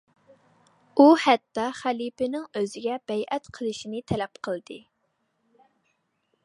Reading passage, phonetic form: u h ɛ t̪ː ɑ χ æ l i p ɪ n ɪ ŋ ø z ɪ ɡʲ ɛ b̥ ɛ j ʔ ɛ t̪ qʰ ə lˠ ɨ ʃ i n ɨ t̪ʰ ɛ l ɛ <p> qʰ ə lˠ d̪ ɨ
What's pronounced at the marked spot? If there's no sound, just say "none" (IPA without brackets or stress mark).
p